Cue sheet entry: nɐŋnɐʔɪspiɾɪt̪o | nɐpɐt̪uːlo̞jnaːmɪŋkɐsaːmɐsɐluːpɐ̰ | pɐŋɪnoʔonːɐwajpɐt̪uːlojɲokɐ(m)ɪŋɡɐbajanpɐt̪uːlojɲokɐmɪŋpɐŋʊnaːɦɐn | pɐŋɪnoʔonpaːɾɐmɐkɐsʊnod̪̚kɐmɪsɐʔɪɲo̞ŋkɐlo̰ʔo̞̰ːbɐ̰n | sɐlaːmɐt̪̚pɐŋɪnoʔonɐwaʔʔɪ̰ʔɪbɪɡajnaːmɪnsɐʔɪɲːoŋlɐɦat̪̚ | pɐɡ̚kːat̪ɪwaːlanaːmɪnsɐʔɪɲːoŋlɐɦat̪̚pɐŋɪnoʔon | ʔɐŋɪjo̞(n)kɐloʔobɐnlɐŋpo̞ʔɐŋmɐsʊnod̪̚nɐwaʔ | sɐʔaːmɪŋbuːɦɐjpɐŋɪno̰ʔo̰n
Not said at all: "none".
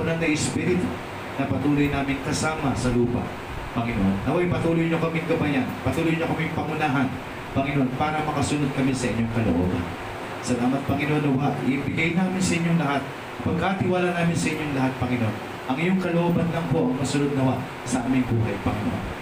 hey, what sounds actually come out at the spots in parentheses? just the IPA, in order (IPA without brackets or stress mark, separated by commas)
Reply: m, ŋ